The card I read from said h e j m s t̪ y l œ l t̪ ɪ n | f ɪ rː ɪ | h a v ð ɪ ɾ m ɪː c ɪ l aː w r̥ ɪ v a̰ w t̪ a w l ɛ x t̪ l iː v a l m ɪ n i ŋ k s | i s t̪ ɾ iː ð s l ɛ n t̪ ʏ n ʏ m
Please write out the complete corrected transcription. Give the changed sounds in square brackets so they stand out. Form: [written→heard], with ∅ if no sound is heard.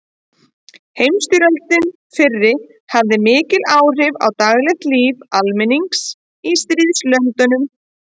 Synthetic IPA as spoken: h e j m s t̪ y [l→ɾ] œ l t̪ ɪ n | f ɪ rː ɪ | h a v ð ɪ [ɾ→∅] m ɪː c ɪ l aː w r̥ ɪ v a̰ w t̪ a [w→ɣ] l ɛ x t̪ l iː v a l m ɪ n i ŋ k s | i s t̪ ɾ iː ð s l [ɛ→œ] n t̪ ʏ n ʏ m